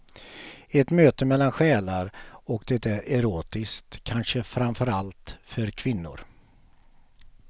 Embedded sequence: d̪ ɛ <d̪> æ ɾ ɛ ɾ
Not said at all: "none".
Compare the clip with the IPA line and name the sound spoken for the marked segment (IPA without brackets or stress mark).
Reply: t̪